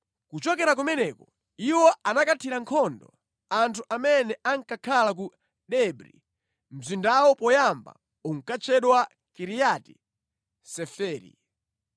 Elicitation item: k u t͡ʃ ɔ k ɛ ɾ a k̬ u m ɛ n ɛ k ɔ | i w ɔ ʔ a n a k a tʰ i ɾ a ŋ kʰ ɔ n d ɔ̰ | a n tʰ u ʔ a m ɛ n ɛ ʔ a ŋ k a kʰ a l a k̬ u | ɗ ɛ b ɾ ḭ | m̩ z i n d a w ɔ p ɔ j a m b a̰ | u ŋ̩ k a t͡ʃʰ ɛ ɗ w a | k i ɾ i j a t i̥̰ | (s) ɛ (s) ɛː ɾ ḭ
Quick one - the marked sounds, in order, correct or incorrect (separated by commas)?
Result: correct, incorrect